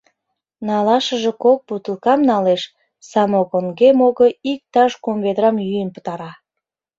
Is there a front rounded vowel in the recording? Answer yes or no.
yes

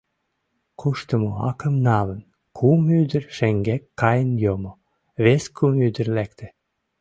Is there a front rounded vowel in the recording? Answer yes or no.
yes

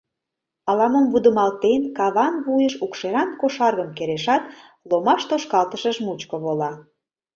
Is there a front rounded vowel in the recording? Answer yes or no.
no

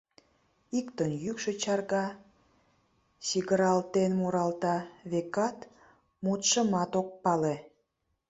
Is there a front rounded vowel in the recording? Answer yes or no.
yes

